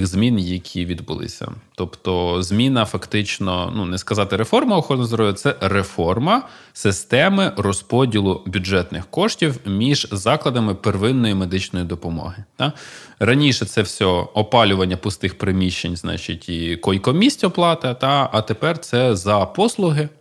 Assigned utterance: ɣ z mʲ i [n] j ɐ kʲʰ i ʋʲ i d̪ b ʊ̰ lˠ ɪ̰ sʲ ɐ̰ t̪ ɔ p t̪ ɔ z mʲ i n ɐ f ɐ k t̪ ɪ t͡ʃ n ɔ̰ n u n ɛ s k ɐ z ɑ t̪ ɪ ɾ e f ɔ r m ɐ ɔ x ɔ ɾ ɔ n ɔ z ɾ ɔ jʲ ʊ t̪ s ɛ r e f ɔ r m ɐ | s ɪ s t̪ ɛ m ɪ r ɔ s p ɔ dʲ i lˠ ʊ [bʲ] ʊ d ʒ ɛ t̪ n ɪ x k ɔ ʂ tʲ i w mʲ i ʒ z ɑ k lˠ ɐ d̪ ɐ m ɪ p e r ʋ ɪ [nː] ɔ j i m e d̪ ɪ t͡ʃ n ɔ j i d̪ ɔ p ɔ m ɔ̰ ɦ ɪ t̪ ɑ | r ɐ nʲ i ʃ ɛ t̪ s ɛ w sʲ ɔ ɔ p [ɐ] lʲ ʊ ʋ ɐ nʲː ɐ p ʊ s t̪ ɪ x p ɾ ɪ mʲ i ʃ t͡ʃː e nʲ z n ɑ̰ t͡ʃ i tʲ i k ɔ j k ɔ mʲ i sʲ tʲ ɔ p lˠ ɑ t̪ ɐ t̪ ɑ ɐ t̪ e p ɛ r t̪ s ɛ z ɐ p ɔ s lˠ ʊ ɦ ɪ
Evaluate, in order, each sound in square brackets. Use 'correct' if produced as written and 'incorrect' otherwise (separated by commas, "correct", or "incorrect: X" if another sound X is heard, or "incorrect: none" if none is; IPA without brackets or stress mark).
correct, correct, correct, incorrect: ɑ